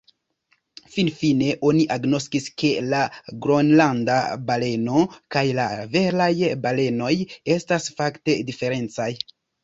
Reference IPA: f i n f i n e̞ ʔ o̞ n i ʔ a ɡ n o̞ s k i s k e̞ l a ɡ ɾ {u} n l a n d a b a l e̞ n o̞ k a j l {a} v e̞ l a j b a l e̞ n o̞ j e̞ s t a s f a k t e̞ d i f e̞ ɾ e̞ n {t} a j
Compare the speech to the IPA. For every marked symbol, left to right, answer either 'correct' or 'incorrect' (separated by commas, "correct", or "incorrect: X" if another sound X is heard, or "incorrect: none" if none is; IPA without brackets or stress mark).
incorrect: o, correct, incorrect: t͡s